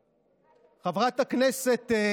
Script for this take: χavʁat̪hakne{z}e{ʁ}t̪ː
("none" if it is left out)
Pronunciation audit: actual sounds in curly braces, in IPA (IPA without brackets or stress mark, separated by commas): s, none